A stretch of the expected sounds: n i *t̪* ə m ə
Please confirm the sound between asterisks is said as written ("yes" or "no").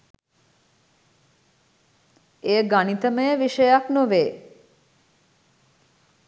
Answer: yes